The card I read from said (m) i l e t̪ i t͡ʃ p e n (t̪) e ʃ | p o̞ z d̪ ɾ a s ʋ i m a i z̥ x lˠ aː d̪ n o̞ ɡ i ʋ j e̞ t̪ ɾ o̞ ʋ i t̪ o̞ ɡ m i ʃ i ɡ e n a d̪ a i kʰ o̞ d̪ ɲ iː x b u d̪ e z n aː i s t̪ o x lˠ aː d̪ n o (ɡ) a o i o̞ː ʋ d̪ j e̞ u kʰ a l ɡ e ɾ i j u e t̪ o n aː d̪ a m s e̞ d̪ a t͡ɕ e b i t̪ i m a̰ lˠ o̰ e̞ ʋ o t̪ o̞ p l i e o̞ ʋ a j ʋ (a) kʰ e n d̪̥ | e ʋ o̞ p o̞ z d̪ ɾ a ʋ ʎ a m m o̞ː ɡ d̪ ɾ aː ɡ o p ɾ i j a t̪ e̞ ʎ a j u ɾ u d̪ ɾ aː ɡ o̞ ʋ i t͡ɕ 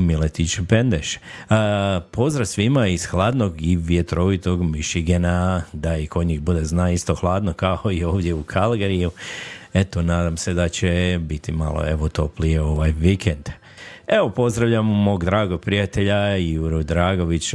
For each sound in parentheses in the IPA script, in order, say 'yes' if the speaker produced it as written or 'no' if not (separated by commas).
yes, no, no, no